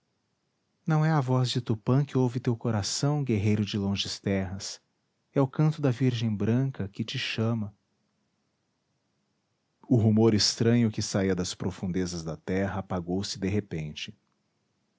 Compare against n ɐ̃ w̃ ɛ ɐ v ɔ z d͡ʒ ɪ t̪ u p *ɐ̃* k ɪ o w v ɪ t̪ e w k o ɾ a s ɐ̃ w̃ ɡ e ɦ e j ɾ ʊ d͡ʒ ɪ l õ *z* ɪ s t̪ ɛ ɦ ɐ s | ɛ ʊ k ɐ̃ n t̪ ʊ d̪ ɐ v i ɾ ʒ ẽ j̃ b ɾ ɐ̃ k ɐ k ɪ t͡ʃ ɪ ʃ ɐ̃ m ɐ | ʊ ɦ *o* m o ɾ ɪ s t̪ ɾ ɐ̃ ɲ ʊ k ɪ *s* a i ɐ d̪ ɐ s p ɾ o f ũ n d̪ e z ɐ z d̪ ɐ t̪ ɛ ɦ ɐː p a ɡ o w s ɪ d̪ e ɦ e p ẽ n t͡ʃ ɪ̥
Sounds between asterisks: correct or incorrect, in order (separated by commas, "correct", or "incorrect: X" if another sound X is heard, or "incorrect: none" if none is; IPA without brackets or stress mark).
correct, incorrect: ʒ, incorrect: u, correct